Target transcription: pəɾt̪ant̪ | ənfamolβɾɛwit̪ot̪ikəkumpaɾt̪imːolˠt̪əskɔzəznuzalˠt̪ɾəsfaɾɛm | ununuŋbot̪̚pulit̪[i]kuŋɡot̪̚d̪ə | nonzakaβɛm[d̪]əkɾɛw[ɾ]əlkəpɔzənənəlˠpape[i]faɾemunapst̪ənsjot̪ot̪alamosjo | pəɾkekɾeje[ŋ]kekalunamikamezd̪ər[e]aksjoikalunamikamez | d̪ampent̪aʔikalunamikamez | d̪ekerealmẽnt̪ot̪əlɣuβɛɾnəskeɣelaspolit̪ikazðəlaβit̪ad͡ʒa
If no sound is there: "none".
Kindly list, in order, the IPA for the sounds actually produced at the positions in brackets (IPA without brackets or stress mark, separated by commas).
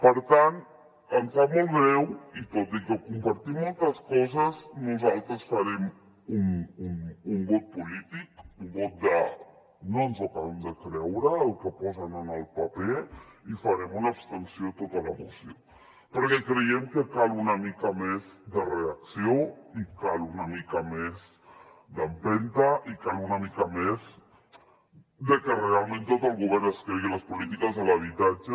i, d̪, ɾ, i, m, e